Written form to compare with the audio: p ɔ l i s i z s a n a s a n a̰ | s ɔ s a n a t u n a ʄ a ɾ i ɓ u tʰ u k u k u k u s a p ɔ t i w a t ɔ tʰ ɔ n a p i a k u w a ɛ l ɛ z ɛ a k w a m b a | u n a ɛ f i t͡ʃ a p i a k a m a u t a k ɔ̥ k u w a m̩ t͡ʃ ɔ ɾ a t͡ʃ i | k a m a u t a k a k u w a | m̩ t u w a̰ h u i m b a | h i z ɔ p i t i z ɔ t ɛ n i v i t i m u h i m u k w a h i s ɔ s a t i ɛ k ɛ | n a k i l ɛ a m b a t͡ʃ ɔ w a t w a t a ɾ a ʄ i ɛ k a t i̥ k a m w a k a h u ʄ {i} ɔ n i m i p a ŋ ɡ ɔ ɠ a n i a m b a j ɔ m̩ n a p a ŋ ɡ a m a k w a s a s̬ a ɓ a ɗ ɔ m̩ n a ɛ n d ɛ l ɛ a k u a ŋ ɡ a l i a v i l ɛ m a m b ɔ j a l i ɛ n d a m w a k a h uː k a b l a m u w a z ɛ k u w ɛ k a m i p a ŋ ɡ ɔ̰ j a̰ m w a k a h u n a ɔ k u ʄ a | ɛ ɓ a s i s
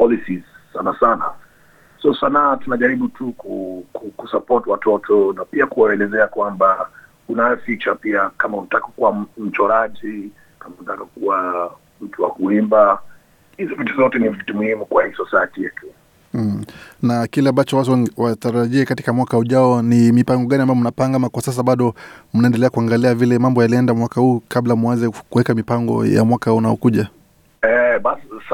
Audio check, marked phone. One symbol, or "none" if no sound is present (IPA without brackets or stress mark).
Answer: a